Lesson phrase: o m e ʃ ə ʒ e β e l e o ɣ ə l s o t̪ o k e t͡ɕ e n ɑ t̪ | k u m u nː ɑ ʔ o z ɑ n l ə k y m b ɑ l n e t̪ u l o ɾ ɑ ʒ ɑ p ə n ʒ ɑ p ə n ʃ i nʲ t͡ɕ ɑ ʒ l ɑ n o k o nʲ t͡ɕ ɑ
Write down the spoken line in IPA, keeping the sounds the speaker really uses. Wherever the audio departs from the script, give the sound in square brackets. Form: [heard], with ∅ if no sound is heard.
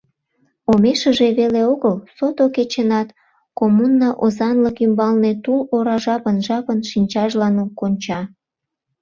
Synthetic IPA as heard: o m e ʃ ə ʒ e β e l e o ɣ ə l s o t̪ o k e t͡ɕ e n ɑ t̪ | k [o] m u nː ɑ ʔ o z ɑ n l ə k y m b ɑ l n e t̪ u l o ɾ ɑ ʒ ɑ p ə n ʒ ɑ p ə n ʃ i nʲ t͡ɕ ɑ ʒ l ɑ n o k o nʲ t͡ɕ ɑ